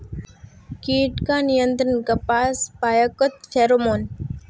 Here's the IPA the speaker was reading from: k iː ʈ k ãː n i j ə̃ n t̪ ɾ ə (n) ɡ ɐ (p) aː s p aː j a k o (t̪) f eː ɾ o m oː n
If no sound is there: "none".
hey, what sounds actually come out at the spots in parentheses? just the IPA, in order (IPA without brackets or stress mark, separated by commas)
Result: n, p, t̪